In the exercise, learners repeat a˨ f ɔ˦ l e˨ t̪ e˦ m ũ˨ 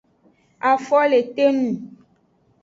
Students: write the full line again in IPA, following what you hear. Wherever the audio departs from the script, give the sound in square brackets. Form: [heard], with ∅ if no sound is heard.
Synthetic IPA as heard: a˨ f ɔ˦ l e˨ t̪ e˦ [n] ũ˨

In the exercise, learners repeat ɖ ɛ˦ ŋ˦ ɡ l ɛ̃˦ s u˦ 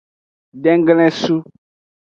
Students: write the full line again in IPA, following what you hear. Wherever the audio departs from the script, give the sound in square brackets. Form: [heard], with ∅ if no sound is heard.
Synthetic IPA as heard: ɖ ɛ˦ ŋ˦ ɡ l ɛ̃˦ s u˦

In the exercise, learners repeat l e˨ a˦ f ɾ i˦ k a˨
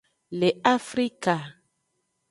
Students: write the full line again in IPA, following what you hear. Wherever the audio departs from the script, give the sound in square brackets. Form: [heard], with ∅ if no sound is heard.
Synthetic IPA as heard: l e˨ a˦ f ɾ i˦ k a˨

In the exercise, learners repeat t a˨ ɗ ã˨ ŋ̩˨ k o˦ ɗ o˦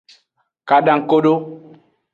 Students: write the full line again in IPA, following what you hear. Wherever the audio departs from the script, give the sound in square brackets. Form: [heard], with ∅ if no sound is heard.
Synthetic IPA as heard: [k] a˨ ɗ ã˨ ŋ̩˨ k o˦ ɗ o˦

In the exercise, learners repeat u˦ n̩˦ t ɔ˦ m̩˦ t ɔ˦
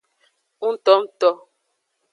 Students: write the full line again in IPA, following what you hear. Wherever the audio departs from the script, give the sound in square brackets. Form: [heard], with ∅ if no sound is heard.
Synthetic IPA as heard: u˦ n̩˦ t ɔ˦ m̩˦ t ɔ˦

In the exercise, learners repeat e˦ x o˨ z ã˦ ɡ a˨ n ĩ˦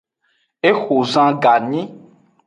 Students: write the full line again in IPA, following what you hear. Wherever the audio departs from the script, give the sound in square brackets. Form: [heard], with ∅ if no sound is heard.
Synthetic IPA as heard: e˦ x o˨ z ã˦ ɡ a˨ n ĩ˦

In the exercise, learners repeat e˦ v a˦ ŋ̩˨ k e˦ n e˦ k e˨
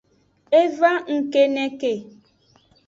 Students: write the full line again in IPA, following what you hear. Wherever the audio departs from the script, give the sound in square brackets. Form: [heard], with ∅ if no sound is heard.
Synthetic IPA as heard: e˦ v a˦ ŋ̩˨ k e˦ n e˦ k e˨

